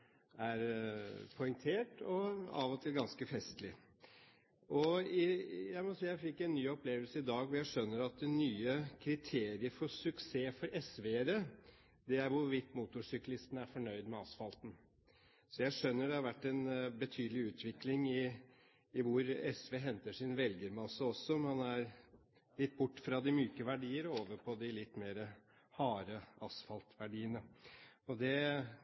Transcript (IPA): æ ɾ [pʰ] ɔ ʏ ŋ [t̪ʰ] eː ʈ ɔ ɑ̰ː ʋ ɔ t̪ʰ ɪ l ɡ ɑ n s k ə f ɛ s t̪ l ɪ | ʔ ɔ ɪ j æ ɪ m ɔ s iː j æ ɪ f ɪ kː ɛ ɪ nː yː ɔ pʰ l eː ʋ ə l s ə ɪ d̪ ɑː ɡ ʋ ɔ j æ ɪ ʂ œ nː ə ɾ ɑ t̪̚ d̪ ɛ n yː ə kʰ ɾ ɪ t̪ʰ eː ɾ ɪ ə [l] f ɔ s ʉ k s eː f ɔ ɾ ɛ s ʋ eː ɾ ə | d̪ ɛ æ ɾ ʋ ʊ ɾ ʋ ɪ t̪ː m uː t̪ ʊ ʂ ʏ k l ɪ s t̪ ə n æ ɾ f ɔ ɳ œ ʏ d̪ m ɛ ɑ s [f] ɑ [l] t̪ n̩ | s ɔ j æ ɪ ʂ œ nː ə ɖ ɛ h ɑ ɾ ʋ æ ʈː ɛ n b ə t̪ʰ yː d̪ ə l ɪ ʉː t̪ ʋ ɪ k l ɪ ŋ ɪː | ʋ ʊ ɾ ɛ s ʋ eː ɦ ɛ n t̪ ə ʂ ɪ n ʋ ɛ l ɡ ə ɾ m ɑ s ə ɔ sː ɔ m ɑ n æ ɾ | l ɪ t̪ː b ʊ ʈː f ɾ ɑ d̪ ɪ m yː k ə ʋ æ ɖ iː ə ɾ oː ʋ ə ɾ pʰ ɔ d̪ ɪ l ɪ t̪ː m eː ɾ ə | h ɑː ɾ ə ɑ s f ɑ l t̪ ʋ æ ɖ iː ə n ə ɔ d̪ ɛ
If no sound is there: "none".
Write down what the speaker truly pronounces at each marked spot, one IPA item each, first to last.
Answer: pʰ, t̪ʰ, ɾ, f, l

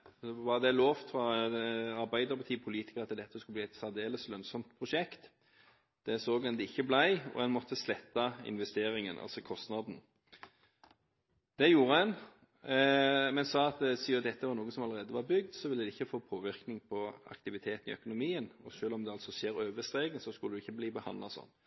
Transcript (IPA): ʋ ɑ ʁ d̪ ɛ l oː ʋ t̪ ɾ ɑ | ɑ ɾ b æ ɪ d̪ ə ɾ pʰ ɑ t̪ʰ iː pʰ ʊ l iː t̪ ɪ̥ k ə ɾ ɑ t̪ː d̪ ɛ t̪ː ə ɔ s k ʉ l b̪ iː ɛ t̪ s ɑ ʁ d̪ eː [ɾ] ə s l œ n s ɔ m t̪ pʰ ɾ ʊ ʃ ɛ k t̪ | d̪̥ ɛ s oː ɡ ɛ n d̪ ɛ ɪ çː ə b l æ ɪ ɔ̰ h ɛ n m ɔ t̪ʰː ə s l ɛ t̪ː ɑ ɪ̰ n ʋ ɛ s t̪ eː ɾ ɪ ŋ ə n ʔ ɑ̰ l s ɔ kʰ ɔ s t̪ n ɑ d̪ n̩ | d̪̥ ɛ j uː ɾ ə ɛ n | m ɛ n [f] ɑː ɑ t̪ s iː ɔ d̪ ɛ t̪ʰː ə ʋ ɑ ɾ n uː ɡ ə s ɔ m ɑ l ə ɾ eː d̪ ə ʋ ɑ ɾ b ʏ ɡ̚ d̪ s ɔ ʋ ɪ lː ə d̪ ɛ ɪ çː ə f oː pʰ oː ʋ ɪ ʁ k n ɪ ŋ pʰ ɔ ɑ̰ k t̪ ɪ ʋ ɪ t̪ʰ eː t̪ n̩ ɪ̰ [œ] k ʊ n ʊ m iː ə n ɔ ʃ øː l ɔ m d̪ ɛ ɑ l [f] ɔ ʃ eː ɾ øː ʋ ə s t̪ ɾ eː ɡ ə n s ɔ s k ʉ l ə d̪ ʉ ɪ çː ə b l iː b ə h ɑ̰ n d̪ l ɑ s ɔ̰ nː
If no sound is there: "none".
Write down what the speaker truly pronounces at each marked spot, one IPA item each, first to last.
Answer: l, s, œ, s

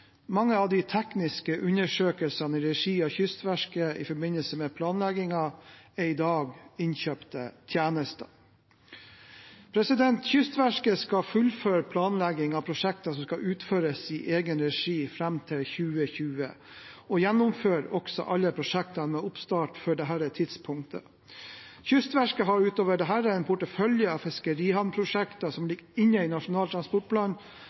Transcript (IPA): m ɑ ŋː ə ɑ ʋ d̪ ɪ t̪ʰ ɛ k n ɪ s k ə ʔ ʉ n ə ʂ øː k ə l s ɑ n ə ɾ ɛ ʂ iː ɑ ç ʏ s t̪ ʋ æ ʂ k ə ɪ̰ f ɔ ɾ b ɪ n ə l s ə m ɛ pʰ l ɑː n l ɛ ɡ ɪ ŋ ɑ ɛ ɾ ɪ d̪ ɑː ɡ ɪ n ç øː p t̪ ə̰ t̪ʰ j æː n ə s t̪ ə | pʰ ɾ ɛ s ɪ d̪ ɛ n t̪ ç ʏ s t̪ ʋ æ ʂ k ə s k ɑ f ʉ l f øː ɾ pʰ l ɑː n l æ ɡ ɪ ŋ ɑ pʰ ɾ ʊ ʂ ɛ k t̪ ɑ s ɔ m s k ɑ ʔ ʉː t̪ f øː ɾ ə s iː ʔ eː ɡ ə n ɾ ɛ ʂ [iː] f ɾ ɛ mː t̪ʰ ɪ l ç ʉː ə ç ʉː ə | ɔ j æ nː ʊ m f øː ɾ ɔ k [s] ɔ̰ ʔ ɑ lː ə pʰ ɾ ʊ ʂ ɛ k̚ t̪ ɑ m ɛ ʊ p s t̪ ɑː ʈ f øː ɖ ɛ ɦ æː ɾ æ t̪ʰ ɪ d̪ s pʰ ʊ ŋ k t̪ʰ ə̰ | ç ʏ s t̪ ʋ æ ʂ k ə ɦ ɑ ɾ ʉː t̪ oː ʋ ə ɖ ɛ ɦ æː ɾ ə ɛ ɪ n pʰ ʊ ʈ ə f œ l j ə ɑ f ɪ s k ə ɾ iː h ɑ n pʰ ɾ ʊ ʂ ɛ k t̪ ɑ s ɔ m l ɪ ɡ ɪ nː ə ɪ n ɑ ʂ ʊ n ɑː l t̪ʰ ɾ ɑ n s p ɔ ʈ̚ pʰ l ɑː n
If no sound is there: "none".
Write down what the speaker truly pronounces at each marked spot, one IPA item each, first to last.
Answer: iː, s

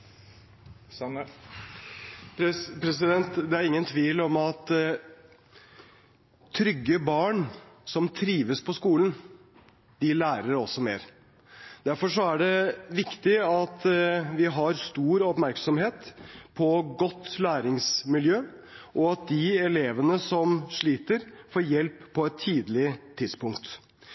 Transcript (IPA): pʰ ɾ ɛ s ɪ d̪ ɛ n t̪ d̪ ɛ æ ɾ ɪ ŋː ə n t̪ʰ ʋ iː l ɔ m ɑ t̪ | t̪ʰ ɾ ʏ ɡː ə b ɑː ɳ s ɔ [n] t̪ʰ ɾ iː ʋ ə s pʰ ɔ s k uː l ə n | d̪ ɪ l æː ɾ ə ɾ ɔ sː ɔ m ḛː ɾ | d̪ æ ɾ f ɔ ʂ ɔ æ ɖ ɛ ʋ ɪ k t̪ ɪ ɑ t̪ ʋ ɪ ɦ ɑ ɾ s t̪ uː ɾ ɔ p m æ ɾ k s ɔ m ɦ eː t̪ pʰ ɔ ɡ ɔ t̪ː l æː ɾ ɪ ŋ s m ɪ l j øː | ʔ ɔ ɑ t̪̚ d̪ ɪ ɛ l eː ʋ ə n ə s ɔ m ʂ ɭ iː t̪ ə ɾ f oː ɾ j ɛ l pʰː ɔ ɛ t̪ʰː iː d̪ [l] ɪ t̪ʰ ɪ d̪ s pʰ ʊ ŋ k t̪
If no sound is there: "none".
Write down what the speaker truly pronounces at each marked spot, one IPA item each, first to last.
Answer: m, l

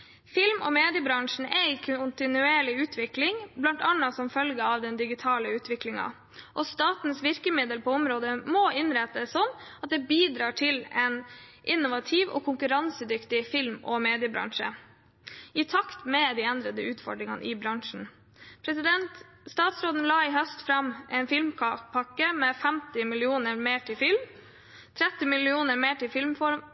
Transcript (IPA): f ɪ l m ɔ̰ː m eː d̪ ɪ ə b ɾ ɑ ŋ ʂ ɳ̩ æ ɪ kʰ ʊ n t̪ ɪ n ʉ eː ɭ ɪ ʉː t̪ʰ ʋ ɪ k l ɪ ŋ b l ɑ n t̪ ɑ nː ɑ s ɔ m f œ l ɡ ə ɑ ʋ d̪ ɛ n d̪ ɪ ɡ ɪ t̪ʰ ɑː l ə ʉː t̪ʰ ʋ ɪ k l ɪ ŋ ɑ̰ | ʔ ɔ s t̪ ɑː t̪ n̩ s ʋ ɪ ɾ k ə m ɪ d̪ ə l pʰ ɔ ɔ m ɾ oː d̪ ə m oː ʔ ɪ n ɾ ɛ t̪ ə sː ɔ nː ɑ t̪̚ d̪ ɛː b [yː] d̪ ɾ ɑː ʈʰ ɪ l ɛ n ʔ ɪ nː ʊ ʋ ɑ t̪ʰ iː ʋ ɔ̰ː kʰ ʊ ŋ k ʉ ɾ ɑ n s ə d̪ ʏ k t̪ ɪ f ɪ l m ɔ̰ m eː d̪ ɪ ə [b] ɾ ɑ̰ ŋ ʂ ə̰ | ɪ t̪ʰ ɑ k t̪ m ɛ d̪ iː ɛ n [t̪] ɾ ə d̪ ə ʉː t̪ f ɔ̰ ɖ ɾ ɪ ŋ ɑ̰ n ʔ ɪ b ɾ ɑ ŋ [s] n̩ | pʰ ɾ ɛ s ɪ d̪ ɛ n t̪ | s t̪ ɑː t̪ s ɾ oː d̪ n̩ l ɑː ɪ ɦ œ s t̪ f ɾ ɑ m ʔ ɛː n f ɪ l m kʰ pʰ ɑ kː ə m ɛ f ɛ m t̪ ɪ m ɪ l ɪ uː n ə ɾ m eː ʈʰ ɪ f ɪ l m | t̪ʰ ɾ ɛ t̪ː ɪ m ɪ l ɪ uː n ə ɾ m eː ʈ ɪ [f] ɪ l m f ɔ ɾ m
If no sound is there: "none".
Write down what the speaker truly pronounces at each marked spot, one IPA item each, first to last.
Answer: iː, b, d̪, ʂ, f

